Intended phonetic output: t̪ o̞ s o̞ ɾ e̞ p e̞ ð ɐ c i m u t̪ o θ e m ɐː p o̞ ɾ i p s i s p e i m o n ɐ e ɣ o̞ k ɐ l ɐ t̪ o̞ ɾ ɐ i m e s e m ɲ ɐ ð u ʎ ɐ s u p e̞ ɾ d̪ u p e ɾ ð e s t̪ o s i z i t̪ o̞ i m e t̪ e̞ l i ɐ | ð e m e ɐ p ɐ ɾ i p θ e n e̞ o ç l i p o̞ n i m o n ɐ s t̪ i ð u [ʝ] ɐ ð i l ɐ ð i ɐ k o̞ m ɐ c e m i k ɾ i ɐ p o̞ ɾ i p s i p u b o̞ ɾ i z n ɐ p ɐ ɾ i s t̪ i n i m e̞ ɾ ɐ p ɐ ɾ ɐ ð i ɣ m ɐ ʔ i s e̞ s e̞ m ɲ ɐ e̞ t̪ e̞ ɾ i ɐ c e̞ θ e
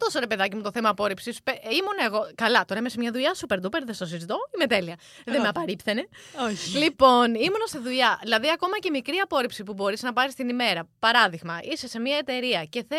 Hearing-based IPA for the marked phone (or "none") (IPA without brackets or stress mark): ʎ